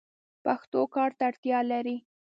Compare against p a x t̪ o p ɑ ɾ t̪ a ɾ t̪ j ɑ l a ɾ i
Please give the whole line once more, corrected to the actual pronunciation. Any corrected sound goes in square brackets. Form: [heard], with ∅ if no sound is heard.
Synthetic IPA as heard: p a x t̪ o [k] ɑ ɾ t̪ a [ɽ] t̪ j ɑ l a ɾ i